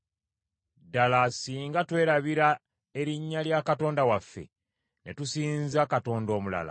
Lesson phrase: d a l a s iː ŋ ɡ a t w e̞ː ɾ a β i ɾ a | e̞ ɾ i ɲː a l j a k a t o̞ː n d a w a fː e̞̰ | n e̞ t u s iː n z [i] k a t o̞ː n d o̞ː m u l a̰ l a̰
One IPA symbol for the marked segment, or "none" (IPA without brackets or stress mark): a